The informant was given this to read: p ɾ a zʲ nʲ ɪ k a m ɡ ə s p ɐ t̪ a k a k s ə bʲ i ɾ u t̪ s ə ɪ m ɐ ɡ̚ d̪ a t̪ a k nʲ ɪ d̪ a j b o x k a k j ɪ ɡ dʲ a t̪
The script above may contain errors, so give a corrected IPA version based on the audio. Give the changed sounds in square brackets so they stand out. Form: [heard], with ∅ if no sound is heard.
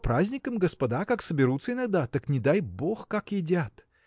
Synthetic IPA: p ɾ a zʲ nʲ ɪ k [ə] m ɡ ə s p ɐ [d̪] a k a k s ə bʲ [ɪ] ɾ u t̪ s ə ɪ [n] ɐ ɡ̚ d̪ a t̪ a k nʲ ɪ d̪ a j b o x k a k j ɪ [∅] dʲ a t̪